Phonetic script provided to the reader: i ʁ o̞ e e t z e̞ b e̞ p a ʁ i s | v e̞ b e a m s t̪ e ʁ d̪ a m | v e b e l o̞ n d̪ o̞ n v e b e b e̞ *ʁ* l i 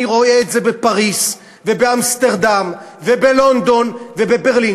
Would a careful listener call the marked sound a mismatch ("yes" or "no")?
no